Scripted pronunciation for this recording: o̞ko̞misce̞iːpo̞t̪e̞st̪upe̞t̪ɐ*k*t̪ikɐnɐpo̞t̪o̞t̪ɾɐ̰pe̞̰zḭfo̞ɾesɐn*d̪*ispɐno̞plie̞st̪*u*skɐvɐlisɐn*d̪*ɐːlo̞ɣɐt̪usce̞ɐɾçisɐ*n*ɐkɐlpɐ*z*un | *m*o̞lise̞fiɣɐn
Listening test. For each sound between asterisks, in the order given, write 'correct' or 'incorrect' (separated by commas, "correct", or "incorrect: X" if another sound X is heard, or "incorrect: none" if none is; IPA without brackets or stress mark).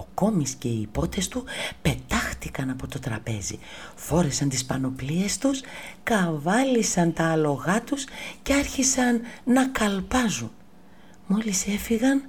incorrect: x, incorrect: t̪, correct, incorrect: t̪, incorrect: nː, correct, correct